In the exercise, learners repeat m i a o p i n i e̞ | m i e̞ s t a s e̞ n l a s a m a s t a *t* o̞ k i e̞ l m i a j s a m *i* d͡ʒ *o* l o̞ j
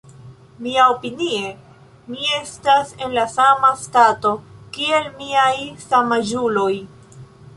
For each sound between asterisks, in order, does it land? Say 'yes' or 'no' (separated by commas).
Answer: yes, no, no